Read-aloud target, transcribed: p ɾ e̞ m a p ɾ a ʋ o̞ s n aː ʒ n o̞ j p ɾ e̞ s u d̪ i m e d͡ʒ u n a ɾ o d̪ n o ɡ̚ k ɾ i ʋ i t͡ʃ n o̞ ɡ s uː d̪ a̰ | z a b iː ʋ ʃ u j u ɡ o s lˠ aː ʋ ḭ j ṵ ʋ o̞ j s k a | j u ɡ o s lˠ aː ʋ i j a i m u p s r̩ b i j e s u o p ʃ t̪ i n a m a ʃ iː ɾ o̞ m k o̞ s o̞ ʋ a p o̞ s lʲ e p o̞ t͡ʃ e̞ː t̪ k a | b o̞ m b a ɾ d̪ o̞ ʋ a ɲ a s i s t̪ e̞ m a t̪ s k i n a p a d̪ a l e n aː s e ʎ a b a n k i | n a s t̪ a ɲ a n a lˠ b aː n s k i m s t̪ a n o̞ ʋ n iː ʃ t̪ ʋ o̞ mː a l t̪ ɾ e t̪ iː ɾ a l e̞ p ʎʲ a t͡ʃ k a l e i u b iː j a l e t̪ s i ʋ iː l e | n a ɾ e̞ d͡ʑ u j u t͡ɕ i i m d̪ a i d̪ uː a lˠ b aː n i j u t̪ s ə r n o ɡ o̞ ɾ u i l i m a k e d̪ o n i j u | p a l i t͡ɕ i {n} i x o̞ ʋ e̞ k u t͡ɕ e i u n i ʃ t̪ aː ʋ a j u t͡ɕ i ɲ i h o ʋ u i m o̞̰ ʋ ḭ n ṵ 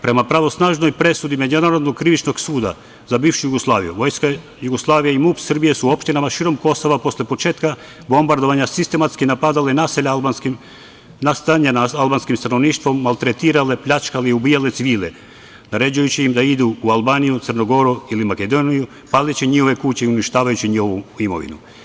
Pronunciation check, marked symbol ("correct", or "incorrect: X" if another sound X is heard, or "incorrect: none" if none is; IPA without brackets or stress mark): incorrect: ɲ